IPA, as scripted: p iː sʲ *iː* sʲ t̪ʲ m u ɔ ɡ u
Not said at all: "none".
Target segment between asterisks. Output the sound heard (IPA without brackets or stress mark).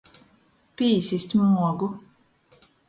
i